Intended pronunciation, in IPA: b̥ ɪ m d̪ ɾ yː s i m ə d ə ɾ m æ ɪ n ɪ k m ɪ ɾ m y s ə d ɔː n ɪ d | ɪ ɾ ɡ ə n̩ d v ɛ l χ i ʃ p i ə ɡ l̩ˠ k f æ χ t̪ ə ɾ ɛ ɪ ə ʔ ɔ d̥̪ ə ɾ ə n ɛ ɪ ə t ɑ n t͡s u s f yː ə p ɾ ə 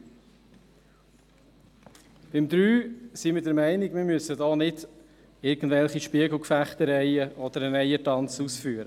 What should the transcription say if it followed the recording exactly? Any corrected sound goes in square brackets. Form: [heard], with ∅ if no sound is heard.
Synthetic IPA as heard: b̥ ɪ m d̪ ɾ yː s i m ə d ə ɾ m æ ɪ n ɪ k m ɪ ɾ m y s ə d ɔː n ɪ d | ɪ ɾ ɡ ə n̩ d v ɛ l χ i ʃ p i ə ɡ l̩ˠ k f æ χ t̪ ə ɾ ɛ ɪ ə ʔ ɔ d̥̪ ə ɾ ə n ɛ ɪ ə t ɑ n t͡s u s f yː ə [∅] ɾ ə